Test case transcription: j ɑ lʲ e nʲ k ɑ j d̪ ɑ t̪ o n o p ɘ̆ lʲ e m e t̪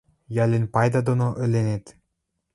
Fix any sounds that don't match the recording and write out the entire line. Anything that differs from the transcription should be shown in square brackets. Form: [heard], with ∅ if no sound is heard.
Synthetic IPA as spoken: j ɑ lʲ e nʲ [p] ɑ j d̪ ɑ [d̪] o n o [ʔ] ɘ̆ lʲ e [n] e t̪